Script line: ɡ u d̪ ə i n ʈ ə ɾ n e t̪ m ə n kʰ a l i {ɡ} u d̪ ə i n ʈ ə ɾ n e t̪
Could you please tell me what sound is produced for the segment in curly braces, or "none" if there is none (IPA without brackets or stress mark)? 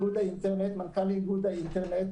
ɡ